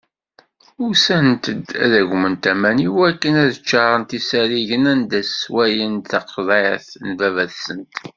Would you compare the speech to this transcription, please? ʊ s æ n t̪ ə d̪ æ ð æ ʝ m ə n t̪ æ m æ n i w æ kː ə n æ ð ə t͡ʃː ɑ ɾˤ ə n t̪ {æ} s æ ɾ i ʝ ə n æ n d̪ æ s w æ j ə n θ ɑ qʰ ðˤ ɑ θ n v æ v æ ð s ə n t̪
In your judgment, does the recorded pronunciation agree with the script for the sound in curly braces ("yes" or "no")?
no